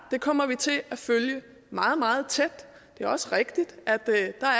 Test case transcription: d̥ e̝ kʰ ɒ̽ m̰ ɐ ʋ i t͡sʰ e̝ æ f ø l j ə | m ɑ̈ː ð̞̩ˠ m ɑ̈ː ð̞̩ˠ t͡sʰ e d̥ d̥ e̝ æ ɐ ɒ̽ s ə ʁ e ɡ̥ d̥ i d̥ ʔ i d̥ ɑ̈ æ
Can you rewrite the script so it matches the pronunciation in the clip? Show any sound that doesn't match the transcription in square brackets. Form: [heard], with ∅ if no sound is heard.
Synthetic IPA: d̥ e̝ kʰ ɒ̽ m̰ ɐ ʋ i t͡sʰ e̝ æ f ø l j ə | m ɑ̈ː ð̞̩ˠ m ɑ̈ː ð̞̩ˠ t͡sʰ e d̥ d̥ e̝ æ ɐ ɒ̽ s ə ʁ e ɡ̥ d̥ i d̥ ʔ [æ] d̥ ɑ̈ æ